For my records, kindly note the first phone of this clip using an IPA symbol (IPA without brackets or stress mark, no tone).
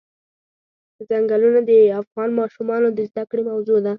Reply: z